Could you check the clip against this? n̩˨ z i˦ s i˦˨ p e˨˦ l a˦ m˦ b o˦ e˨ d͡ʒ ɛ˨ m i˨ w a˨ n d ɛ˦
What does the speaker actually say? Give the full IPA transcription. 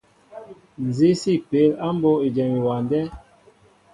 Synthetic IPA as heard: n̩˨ z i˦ s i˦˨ p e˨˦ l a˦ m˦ b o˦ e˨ d͡ʒ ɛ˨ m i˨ w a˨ n d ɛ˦